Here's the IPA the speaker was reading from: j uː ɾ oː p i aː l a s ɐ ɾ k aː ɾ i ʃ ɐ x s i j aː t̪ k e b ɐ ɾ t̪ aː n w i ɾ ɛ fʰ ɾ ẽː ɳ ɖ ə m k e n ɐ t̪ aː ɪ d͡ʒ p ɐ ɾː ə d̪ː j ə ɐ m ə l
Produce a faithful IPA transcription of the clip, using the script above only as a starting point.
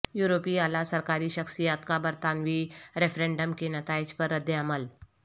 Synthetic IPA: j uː ɾ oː p i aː l a s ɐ ɾ k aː ɾ i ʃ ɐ x s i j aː t̪ k a b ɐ ɾ t̪ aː n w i ɾ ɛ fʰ ɾ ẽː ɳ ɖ ə m k e n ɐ t̪ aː ɪ d͡ʒ p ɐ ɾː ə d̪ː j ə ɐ m ə l